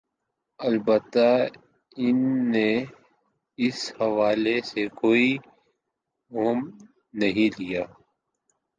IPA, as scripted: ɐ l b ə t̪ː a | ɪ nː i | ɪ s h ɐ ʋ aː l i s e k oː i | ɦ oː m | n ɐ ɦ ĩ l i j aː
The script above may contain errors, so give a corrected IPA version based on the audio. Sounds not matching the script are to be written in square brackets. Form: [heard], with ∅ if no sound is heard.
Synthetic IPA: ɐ l b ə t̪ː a | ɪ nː [e] | ɪ s h ɐ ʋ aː l [e] s e k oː i | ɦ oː m | n ɐ ɦ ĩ l i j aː